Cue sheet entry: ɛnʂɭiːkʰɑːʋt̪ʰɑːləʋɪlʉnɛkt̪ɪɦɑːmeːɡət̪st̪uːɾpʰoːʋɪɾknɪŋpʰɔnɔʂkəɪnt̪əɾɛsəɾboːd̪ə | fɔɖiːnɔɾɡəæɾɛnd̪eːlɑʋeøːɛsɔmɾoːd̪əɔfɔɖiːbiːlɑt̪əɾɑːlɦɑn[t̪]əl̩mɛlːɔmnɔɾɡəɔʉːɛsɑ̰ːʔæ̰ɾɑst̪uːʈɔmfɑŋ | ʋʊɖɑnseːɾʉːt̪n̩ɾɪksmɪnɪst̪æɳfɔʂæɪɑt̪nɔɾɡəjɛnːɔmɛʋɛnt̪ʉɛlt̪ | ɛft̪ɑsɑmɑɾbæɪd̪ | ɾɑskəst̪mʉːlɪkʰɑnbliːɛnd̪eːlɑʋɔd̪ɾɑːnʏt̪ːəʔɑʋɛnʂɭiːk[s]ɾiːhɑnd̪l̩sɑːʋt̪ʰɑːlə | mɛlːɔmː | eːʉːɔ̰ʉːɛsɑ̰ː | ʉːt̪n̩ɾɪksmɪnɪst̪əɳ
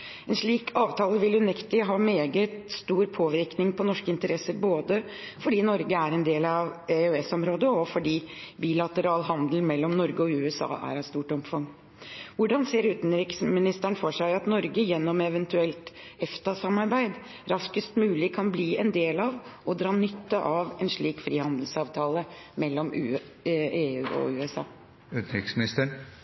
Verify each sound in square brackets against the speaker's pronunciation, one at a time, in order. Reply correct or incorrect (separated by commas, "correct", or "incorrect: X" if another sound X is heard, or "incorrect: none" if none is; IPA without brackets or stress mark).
incorrect: d̪, incorrect: f